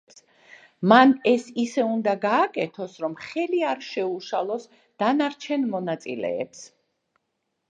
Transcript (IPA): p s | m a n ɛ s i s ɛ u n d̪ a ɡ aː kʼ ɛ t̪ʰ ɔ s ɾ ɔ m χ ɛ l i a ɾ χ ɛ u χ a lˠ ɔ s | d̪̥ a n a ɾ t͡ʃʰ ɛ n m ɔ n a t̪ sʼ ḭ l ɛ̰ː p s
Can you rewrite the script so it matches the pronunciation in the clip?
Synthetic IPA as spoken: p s | m a n ɛ s i s ɛ u n d̪ a ɡ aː kʼ ɛ t̪ʰ ɔ s ɾ ɔ m χ ɛ l i a ɾ ʃ ɛ u ʃ a lˠ ɔ s | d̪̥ a n a ɾ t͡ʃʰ ɛ n m ɔ n a t̪ sʼ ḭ l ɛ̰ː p s